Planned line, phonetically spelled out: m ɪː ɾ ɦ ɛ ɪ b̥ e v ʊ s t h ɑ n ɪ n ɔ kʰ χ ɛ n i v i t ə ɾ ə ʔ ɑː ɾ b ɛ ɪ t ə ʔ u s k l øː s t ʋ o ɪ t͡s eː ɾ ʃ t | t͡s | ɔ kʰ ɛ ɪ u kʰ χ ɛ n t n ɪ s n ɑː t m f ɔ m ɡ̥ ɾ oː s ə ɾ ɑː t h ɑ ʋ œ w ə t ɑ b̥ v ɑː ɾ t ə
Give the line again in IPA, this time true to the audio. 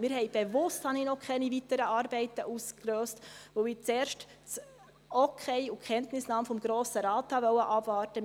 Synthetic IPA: m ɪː ɾ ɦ ɛ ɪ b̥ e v ʊ s t h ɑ n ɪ n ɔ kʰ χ ɛ n i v i t ə ɾ ə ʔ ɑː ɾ b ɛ ɪ t ə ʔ u s k l øː s t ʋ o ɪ t͡s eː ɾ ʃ t | t͡s | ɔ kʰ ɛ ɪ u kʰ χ ɛ n t n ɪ s n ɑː m f ɔ m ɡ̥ ɾ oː s ə ɾ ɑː t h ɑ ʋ œ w ə ʔ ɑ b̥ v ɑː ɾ t ə